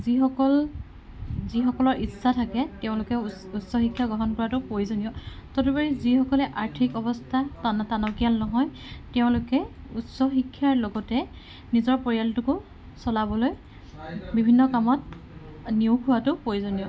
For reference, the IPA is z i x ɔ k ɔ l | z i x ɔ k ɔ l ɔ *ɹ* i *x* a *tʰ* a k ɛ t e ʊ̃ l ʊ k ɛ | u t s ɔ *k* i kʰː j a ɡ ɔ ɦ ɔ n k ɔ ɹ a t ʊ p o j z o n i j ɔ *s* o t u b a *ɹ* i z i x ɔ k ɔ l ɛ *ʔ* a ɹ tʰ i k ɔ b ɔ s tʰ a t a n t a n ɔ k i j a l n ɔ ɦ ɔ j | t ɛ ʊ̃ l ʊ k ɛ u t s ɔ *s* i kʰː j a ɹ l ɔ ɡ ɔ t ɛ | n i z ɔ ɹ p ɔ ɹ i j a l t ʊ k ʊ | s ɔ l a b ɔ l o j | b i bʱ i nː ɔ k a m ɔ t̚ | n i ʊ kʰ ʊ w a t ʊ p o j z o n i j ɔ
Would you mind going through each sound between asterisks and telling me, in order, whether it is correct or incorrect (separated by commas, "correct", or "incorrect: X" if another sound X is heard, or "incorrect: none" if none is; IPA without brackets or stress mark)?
correct, incorrect: s, correct, incorrect: x, incorrect: t, correct, correct, incorrect: x